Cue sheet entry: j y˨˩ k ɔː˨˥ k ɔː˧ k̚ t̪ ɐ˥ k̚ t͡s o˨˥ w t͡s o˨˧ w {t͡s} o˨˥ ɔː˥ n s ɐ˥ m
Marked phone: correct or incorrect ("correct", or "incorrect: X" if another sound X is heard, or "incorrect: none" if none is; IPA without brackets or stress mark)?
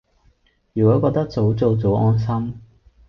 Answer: correct